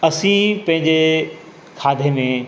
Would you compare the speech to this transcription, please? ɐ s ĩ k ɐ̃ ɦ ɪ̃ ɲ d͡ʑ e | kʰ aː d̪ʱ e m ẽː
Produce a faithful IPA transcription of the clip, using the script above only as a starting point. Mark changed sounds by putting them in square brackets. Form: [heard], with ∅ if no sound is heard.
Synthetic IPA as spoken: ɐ s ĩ [p] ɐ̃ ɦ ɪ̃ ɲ d͡ʑ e | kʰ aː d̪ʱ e m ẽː